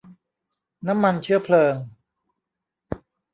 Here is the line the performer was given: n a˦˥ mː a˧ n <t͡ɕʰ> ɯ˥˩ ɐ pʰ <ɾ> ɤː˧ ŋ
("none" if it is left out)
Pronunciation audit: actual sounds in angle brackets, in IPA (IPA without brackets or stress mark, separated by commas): t͡ɕʰ, l